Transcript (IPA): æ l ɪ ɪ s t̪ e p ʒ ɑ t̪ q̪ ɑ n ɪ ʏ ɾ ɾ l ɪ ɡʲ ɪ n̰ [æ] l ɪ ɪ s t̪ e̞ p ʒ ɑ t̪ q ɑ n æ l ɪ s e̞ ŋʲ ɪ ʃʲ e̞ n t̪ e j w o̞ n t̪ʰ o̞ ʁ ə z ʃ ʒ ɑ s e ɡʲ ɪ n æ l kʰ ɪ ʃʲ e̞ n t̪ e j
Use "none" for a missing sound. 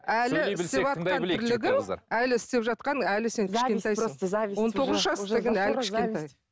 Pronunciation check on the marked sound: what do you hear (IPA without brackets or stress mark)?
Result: æ